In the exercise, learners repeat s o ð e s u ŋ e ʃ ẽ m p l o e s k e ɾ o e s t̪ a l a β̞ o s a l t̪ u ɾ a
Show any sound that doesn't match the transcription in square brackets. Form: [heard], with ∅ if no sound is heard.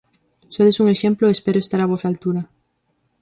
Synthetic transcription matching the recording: s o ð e s u ŋ e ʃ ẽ m p l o e s [p] e ɾ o e s t̪ a [ɾ] a β̞ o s a l t̪ u ɾ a